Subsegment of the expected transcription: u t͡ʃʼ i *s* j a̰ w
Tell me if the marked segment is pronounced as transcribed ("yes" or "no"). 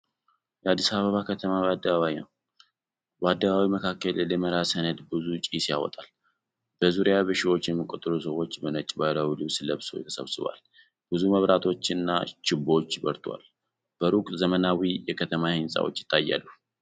yes